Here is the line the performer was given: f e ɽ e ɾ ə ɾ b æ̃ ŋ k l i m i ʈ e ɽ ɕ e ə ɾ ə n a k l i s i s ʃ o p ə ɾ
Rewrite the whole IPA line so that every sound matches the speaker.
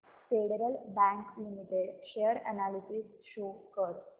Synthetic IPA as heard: f e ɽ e ɾ ə l b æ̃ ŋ k l i m i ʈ e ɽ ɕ e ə ɾ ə n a l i s i s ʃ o k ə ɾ